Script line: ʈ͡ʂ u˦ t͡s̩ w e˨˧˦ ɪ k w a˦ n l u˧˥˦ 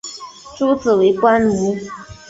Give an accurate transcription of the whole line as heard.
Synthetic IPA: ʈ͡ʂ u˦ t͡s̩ w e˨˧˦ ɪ k w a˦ n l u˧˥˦